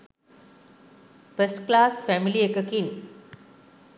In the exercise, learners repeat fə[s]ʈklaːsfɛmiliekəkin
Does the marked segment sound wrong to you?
no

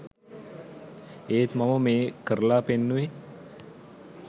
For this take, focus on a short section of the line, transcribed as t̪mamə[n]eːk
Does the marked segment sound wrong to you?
yes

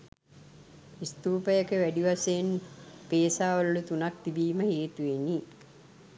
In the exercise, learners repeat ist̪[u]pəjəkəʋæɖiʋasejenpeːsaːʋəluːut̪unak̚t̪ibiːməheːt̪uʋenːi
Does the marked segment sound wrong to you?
yes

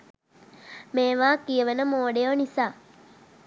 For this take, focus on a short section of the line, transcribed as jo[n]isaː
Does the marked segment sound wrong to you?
no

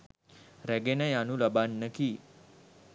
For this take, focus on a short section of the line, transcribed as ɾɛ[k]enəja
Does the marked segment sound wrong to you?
yes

